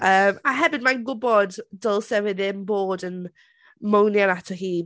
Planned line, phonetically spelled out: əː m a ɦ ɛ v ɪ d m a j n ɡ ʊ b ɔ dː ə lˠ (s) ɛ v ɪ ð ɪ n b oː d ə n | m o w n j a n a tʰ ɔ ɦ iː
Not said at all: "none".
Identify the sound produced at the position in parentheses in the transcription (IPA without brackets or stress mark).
s